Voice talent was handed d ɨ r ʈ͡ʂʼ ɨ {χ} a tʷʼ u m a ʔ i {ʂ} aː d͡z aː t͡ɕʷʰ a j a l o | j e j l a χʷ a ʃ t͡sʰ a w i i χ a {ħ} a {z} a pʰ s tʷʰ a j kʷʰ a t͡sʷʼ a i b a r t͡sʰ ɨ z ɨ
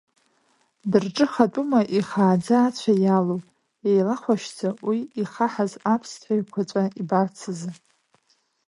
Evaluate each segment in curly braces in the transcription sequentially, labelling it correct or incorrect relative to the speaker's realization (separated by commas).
correct, incorrect, correct, correct